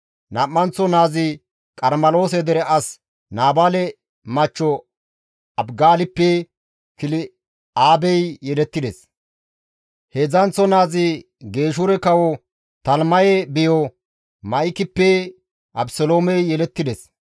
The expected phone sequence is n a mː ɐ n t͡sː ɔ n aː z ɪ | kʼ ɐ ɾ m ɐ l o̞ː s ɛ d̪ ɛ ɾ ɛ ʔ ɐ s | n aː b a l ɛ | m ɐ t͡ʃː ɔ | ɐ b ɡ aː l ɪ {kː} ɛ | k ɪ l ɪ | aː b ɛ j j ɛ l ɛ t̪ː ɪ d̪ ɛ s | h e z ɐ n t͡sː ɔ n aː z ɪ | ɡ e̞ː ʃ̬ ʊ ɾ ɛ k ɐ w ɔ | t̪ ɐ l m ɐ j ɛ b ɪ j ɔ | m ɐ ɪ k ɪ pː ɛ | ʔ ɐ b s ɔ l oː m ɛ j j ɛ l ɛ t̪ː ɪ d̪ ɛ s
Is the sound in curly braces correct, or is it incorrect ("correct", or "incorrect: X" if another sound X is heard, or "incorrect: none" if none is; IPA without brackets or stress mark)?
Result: incorrect: pː